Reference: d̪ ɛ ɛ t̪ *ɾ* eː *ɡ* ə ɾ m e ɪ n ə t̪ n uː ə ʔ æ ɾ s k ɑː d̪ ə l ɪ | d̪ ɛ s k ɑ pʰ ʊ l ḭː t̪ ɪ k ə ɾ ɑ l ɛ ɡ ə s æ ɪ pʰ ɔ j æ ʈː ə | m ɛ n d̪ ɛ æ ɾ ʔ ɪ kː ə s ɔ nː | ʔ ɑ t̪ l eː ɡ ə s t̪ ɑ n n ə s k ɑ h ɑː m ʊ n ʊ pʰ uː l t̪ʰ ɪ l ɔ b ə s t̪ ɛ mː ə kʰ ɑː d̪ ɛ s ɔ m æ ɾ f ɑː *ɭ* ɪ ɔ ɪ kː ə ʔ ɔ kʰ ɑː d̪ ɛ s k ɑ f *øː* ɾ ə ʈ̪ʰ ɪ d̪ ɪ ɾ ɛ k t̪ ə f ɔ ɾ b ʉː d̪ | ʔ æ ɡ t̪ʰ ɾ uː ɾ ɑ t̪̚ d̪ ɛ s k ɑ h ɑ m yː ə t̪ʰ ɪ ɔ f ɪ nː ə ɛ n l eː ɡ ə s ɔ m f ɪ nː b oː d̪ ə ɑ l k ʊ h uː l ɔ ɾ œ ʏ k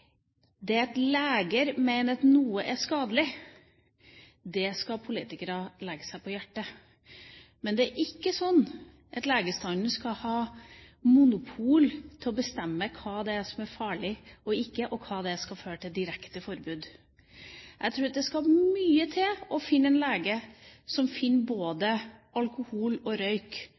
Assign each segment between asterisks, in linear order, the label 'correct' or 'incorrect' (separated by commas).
incorrect, correct, correct, correct